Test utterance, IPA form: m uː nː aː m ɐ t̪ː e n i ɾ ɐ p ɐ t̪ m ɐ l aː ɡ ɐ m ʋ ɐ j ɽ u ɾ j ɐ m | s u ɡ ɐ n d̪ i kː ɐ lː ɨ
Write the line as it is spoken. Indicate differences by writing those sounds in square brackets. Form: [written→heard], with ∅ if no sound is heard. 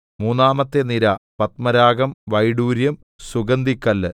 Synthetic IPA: m uː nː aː m ɐ t̪ː e n i ɾ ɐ p ɐ t̪ m ɐ [l→ɾ] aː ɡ ɐ m ʋ ɐ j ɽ [u→uː] ɾ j ɐ m | s u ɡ ɐ n d̪ i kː ɐ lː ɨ